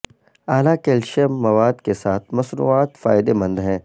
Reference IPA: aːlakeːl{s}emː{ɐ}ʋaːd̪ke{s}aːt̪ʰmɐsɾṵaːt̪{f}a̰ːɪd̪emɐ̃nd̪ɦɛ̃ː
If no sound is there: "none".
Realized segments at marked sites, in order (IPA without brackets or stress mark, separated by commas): ʃ, ɐ, s, f